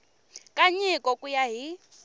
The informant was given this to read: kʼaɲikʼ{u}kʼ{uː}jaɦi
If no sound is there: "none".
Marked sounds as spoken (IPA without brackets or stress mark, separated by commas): ɔ, u